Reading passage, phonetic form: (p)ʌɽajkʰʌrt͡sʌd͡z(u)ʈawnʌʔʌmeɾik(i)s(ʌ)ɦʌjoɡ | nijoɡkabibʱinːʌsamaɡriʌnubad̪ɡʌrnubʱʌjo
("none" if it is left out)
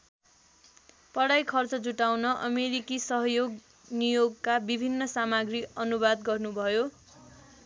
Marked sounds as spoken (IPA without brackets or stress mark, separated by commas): p, u, i, ʌ